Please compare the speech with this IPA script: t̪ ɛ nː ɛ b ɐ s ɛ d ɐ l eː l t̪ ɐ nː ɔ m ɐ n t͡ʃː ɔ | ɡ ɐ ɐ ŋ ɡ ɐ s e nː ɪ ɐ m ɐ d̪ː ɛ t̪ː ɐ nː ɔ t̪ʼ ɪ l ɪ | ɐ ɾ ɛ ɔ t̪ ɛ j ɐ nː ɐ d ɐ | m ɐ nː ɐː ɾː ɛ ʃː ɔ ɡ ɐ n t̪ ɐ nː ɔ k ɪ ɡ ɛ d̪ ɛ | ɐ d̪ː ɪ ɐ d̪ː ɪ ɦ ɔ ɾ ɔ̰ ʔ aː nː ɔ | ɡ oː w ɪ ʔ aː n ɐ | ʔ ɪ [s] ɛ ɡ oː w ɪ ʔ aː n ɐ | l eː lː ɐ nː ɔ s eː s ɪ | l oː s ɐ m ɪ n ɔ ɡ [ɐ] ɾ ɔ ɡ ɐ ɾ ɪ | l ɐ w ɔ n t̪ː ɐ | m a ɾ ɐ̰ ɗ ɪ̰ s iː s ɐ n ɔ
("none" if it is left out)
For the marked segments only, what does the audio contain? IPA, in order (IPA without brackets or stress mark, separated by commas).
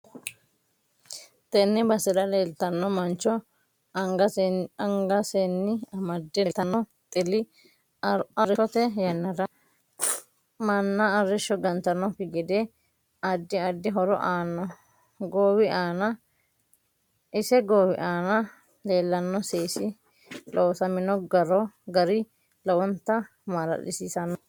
s, ɐ